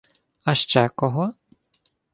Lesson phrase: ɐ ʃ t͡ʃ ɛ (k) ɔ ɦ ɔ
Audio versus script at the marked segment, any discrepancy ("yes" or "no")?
no